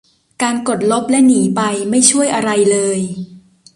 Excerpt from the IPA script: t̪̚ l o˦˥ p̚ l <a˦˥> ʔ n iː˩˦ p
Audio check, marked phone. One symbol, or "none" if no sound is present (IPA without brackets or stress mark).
ɛ˦˥